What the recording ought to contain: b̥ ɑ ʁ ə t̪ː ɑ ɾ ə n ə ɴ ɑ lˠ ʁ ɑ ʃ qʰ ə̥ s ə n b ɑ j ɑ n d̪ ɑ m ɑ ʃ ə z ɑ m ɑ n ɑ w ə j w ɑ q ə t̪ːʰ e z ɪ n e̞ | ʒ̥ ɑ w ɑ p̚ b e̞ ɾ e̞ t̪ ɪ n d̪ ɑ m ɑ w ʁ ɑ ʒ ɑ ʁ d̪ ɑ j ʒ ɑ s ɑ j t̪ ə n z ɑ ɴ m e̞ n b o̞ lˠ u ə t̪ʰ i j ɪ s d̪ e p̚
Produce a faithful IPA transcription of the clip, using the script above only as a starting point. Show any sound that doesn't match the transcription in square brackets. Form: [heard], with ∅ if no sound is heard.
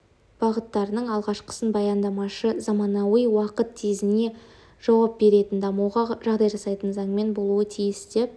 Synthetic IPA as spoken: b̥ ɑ ʁ ə t̪ː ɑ ɾ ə n ə ɴ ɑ lˠ ʁ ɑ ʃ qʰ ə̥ s ə n b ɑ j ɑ n d̪ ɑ m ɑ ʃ ə z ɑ m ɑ n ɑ w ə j w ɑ q ə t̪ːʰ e z ɪ n e̞ | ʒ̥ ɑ w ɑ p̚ b e̞ ɾ e̞ t̪ ɪ n d̪ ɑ m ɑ w ʁ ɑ ʒ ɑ ʁ d̪ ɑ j ʒ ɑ s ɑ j t̪ ə n z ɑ ɴ m e̞ n b o̞ lˠ u ə t̪ʰ i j ɪ s d̪ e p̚